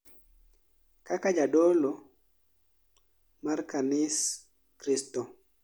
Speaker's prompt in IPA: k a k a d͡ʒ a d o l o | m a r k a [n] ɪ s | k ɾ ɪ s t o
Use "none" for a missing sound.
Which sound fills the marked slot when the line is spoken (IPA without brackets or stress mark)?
n